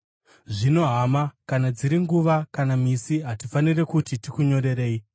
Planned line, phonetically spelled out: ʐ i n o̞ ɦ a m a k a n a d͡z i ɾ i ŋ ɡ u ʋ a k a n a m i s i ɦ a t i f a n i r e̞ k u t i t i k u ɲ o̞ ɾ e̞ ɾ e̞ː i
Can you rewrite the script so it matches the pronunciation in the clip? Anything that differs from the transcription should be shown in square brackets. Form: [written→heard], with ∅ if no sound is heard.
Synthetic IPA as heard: ʐ i n o̞ ɦ a m a k a n a d͡z i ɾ i ŋ ɡ u ʋ a k a n a m i s i ɦ a t i f a n i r e̞ k u t i t i k u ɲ o̞ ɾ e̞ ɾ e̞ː i